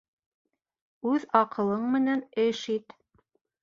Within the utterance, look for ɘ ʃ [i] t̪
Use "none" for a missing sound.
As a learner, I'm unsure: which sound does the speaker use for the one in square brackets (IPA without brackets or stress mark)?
i